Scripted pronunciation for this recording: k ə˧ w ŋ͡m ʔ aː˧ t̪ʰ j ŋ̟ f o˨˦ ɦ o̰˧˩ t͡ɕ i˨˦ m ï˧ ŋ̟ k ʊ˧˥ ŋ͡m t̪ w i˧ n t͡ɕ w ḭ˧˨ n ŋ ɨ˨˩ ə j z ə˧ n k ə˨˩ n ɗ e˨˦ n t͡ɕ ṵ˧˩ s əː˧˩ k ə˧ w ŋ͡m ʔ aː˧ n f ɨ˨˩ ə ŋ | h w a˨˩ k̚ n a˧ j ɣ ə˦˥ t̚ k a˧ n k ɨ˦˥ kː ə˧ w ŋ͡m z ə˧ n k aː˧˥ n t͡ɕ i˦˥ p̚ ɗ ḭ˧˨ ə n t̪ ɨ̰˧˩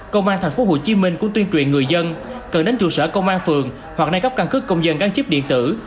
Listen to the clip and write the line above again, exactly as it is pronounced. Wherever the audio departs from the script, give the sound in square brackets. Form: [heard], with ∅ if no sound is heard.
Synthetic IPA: k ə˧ w ŋ͡m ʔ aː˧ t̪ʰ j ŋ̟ f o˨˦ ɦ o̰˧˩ t͡ɕ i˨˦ m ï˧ ŋ̟ k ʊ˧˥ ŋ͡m t̪ w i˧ n t͡ɕ w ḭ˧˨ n ŋ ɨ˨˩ ə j z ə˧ n k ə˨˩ n ɗ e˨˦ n t͡ɕ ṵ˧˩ s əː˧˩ k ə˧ w ŋ͡m ʔ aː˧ n f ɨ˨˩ ə ŋ | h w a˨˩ k̚ n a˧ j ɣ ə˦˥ [p̚] k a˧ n k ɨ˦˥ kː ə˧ w ŋ͡m z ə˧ n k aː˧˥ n t͡ɕ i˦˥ p̚ ɗ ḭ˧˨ ə n t̪ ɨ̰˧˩